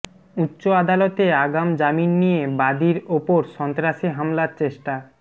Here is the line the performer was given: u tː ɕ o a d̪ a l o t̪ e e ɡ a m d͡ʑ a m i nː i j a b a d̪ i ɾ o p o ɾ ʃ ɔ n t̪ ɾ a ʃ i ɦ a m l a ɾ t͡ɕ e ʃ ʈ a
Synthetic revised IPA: u tː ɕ o a d̪ a l o t̪ e a ɡ a m d͡ʑ a m i nː i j e b a d̪ i ɾ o p o ɾ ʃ ɔ n t̪ ɾ a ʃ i ɦ a m l a ɾ t͡ɕ e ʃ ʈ a